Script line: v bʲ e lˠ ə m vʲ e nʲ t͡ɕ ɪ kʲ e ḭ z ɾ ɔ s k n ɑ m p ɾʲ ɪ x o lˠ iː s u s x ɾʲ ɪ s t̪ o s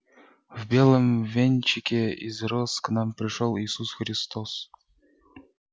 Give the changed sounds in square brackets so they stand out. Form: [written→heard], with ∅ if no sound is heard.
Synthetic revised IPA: v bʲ e lˠ ə m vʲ e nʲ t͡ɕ ɪ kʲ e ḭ z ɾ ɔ s k n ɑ m p ɾʲ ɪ [x→ʂ] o lˠ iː s u s x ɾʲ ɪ s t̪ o s